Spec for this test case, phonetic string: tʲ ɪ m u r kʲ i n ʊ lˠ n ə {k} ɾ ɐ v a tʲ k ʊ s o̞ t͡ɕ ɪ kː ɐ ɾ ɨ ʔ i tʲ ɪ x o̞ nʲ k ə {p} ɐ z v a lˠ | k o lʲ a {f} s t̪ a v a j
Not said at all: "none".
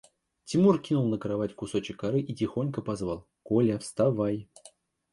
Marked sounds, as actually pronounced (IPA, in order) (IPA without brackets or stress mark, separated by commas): k, p, f